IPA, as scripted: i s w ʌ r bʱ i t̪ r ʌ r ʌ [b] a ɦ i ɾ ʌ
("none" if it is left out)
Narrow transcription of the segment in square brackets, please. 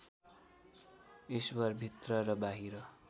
b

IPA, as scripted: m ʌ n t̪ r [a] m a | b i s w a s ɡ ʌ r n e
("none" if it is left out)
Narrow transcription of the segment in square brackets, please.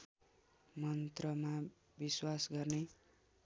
ʌ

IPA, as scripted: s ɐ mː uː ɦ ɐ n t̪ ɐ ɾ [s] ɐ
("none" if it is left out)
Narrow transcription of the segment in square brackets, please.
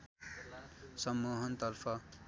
f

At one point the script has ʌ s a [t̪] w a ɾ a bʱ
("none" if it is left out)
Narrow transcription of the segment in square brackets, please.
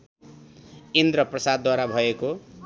d̪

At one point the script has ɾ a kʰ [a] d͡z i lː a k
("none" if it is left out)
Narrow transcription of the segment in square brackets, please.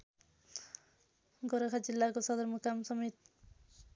a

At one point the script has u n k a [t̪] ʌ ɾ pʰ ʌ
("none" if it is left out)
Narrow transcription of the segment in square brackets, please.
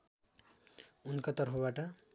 t̪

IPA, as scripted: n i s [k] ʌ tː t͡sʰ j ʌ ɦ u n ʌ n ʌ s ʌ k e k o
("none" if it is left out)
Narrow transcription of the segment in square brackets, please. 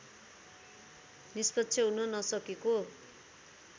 p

